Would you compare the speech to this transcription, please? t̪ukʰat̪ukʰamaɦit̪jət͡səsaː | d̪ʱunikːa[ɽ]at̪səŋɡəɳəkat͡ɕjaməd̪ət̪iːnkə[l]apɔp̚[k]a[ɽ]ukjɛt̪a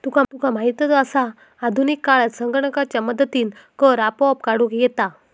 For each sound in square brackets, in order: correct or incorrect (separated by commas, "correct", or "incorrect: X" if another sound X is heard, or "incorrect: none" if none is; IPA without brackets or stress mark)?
incorrect: ɭ, incorrect: ɾ, correct, correct